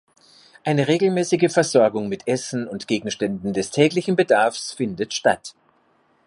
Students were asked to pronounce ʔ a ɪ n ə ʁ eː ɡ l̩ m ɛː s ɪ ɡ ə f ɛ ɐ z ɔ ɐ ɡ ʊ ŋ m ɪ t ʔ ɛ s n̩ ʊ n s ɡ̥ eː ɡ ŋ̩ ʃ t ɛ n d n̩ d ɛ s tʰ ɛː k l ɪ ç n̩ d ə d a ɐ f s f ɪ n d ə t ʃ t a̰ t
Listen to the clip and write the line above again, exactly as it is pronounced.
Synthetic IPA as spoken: ʔ a ɪ n ə ʁ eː ɡ l̩ m ɛː s ɪ ɡ ə f ɛ ɐ z ɔ ɐ ɡ ʊ ŋ m ɪ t ʔ ɛ s n̩ ʊ n t ɡ̥ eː ɡ ŋ̩ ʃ t ɛ n d n̩ d ɛ s tʰ ɛː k l ɪ ç n̩ b ə d a ɐ f s f ɪ n d ə t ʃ t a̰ t